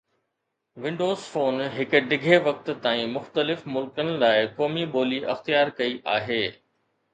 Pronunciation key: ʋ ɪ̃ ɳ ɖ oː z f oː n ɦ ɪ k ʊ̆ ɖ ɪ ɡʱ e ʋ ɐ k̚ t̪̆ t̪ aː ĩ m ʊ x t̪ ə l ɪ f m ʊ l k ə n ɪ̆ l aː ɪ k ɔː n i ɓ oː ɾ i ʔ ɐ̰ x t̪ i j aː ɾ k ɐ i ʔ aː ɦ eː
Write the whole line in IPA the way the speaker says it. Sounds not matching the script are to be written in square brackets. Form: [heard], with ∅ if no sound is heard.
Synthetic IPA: ʋ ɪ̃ ɳ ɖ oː z f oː n ɦ ɪ k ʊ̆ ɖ ɪ ɡʱ e ʋ ɐ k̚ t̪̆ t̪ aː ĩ m ʊ x t̪ ə l ɪ f m ʊ l k ə n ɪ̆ l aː ɪ k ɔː [m] i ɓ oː [l] i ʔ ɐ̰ x t̪ i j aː ɾ k ɐ i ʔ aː ɦ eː

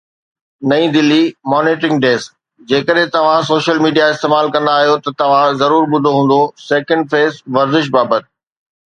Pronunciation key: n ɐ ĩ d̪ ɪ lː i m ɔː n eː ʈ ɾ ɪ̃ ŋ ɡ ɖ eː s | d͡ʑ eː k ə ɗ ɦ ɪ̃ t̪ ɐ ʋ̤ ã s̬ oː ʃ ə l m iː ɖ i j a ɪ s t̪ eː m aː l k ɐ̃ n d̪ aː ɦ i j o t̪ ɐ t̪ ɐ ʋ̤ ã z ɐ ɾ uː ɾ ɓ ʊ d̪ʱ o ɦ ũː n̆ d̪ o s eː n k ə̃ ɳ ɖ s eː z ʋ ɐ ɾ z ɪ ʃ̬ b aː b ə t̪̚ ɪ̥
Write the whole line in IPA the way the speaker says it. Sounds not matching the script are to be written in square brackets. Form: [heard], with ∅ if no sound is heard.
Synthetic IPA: n ɐ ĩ d̪ ɪ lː i m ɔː n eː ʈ ɾ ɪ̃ ŋ ɡ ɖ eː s | d͡ʑ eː k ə ɗ ɦ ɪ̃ t̪ ɐ ʋ̤ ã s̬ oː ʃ ə l m iː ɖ i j a ɪ s t̪ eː m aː l k ɐ̃ n d̪ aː ɦ i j o t̪ ɐ t̪ ɐ ʋ̤ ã z ɐ ɾ uː ɾ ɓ ʊ d̪ʱ o ɦ ũː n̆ d̪ o s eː [∅] k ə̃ ɳ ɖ [f] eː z ʋ ɐ ɾ z ɪ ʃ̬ b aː b ə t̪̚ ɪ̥

